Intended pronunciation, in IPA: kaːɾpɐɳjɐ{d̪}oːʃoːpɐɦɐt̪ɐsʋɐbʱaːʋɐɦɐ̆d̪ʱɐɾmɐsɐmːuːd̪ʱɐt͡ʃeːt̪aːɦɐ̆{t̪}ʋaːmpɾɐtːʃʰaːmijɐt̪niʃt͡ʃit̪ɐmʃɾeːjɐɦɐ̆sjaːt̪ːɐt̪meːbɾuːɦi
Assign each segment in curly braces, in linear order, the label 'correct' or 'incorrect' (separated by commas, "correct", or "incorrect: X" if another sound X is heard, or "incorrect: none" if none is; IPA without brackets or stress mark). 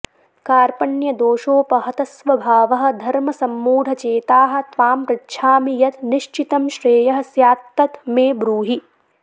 correct, correct